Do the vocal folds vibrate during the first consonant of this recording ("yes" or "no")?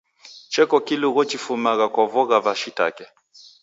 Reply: no